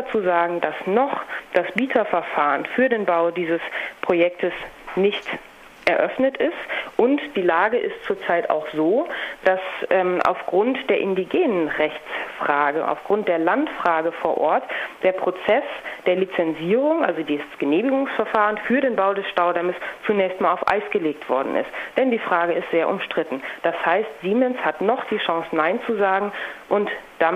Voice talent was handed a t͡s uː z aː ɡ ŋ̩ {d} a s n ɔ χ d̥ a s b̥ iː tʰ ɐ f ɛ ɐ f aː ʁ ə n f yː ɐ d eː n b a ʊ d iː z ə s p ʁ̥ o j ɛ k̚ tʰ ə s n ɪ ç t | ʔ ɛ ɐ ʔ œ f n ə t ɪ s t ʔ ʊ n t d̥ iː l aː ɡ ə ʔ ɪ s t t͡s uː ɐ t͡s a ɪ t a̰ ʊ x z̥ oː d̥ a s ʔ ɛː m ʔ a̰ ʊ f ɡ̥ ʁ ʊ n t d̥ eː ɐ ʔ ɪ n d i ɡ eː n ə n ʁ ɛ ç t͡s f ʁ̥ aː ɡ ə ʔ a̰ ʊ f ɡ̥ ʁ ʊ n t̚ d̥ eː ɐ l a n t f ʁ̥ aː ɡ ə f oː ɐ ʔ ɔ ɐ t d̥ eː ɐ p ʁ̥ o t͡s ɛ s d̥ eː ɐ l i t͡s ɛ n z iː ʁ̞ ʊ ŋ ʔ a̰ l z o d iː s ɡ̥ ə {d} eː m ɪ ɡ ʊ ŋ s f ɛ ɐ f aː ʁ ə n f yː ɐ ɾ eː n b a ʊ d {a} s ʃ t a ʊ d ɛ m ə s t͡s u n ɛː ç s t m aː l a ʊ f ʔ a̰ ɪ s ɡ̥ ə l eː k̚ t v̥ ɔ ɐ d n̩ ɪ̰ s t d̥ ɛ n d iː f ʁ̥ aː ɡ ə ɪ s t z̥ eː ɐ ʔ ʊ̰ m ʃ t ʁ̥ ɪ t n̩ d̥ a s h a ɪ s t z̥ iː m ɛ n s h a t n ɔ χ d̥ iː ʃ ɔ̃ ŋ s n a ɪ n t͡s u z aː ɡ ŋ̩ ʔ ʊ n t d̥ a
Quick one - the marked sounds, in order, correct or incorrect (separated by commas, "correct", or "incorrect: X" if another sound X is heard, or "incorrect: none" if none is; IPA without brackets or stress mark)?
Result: correct, incorrect: n, incorrect: ɛ